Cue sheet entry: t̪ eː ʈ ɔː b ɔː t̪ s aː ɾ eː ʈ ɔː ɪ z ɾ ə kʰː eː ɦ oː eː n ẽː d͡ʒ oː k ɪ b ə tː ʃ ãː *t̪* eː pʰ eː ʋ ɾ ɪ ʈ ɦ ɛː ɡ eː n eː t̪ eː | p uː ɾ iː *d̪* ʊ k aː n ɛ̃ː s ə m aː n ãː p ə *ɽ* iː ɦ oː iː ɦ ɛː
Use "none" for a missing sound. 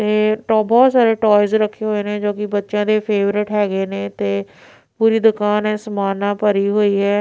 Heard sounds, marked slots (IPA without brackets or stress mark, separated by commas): d̪, d̪, ɾ